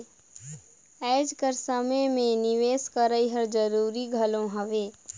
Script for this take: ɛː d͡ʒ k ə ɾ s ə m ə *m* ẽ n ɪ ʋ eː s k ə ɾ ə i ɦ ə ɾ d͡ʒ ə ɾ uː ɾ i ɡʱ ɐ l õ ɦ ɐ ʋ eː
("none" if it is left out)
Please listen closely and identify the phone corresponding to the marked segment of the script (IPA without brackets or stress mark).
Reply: m